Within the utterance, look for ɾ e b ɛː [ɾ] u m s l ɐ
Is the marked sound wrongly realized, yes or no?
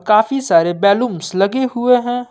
yes